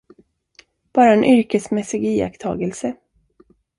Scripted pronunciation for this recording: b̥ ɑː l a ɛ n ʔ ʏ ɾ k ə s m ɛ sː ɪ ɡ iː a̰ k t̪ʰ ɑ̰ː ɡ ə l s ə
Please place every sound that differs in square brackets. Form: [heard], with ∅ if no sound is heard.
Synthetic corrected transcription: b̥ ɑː [ɾ] a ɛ n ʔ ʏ ɾ k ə s m ɛ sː ɪ ɡ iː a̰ k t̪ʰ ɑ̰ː ɡ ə l s ə